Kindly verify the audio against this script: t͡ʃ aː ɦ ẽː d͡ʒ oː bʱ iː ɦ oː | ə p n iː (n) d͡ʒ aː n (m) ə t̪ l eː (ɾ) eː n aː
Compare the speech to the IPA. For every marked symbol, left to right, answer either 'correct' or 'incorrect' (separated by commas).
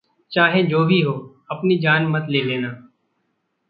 incorrect, correct, incorrect